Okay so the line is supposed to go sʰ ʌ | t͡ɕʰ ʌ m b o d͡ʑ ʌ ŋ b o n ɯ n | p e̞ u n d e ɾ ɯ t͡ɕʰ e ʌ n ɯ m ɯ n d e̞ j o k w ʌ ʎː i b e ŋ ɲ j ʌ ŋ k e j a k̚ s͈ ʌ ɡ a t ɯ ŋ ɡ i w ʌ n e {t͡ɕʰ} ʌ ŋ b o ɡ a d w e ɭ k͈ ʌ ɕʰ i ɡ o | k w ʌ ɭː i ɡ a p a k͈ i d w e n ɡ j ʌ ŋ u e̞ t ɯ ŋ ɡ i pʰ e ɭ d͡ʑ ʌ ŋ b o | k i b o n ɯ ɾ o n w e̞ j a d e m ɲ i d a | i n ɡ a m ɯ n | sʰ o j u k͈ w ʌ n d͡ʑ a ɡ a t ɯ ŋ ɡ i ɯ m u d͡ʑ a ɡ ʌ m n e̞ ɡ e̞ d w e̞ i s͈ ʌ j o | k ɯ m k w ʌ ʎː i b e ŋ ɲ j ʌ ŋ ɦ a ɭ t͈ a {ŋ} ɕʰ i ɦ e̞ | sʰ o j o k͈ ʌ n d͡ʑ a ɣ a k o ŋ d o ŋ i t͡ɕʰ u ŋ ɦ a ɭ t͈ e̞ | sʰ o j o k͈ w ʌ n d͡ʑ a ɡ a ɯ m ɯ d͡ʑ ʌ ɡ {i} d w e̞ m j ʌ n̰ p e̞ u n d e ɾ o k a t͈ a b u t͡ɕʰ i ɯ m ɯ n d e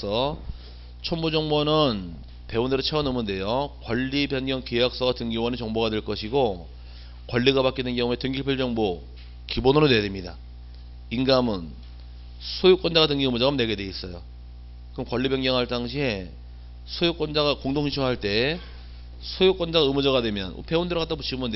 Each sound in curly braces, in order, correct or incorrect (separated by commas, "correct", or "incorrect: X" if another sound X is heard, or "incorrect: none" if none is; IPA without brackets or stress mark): incorrect: t͡ɕ, correct, incorrect: a